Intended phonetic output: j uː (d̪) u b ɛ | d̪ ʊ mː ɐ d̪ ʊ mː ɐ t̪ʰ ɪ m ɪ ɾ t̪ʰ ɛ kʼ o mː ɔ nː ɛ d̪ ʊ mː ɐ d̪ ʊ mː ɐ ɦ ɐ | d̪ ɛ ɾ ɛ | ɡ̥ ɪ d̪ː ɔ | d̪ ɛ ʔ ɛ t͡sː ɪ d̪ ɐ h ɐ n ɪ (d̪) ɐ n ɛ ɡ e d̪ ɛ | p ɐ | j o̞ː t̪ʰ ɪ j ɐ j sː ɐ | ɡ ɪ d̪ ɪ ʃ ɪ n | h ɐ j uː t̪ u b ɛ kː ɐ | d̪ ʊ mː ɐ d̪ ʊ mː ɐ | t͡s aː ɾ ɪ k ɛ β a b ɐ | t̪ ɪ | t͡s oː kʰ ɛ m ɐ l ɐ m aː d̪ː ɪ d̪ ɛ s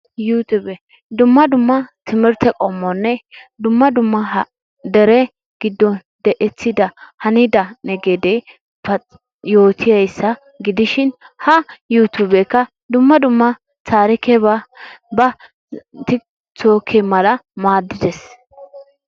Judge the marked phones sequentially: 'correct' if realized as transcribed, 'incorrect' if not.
incorrect: t̪, correct

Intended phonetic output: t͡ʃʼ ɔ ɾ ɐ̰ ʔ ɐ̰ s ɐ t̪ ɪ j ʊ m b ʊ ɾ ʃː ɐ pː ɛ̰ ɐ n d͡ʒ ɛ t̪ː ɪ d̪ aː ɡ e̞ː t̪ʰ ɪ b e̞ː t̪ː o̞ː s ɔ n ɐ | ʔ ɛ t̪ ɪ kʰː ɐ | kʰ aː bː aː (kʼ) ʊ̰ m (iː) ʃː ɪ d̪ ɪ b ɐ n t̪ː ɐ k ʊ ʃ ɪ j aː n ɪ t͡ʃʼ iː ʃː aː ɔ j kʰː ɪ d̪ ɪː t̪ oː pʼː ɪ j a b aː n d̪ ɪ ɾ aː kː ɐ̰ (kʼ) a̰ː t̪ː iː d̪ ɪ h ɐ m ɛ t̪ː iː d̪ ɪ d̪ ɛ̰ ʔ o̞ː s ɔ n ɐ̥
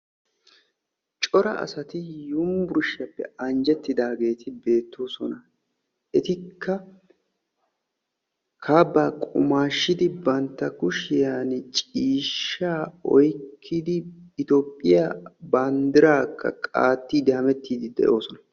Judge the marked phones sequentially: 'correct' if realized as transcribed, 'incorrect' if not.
correct, incorrect: aː, correct

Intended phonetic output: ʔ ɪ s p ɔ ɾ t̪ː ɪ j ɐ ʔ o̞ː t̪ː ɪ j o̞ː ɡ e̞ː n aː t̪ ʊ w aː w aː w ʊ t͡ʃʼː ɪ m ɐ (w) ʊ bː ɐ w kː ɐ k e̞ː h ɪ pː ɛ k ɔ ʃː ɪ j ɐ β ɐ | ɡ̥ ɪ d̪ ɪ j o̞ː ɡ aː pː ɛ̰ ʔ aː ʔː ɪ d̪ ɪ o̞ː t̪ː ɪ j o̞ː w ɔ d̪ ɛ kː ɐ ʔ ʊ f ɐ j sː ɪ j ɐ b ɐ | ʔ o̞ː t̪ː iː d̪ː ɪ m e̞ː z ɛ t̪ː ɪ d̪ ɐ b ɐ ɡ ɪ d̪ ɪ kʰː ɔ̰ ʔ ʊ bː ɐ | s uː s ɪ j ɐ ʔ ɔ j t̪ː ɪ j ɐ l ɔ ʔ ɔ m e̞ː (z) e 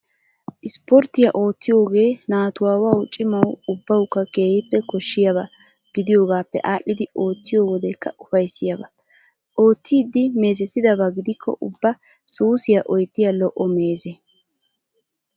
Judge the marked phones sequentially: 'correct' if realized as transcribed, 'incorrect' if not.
correct, correct

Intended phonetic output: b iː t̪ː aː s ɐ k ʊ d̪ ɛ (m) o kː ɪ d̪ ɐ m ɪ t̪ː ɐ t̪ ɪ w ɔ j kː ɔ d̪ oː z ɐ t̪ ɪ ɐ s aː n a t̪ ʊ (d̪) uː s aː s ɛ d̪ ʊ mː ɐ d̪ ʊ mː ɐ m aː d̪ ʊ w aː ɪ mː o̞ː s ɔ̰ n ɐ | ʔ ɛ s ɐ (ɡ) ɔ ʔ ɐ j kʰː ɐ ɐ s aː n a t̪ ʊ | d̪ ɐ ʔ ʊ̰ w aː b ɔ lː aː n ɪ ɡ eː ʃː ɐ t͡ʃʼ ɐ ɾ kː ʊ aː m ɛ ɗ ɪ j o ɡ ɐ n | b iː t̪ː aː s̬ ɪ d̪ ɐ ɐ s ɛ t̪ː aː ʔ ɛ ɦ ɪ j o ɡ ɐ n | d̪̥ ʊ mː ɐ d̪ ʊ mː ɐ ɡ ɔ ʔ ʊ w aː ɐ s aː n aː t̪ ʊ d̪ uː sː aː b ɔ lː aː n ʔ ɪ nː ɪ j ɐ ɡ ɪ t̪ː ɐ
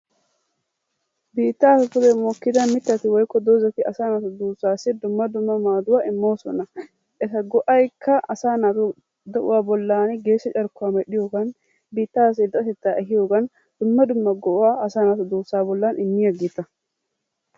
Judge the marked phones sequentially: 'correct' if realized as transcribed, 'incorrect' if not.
correct, correct, correct

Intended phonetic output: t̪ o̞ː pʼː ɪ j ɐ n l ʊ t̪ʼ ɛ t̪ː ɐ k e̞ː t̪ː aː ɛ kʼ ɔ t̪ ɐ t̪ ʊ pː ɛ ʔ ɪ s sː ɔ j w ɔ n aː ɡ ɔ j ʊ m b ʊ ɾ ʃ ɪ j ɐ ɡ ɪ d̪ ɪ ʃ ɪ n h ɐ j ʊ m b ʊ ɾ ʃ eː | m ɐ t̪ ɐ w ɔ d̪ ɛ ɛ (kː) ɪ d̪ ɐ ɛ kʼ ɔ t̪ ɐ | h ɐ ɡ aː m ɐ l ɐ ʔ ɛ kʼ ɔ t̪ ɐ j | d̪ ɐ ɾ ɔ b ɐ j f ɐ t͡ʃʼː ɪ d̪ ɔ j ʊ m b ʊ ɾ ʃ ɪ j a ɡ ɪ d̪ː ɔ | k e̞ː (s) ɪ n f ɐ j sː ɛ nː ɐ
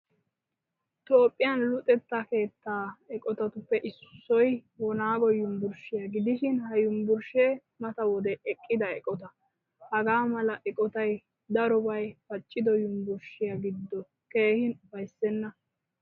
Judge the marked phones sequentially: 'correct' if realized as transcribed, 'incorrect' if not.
incorrect: kʼː, incorrect: h

